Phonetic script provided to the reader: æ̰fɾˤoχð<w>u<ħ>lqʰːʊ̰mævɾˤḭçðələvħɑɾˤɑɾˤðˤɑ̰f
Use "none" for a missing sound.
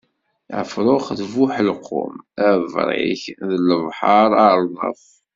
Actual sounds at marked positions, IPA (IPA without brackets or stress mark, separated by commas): v, ħ